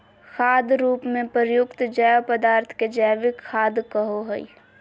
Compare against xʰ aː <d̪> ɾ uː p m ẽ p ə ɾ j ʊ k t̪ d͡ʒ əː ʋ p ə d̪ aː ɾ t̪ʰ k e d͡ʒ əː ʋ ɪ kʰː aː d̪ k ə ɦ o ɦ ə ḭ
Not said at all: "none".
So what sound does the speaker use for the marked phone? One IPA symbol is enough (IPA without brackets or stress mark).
d̪